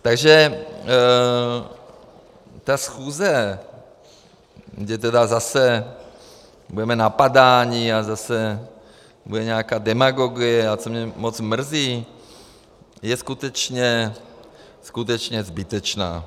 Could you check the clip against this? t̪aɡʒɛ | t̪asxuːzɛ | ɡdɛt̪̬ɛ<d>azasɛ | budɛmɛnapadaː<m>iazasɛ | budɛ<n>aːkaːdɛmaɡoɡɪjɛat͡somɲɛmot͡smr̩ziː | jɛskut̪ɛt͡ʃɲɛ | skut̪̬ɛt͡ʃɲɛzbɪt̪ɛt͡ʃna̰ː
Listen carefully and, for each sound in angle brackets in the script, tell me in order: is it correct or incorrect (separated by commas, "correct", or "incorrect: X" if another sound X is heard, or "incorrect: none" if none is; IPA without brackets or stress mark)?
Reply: correct, incorrect: ɲ, incorrect: ɲ